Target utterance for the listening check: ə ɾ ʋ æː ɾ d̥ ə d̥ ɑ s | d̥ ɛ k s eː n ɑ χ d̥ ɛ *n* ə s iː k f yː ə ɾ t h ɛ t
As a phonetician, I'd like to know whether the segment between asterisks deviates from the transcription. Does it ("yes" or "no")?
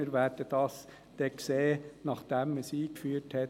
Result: yes